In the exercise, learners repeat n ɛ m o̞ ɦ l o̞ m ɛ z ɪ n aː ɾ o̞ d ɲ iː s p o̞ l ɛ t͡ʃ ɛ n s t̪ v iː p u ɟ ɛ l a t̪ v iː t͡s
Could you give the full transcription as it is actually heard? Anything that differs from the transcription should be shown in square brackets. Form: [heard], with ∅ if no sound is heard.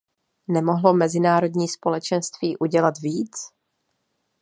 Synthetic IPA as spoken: n ɛ m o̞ ɦ l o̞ m ɛ z ɪ n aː ɾ o̞ d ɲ iː s p o̞ l ɛ t͡ʃ ɛ n s t̪ v iː [ʔ] u ɟ ɛ l a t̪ v iː t͡s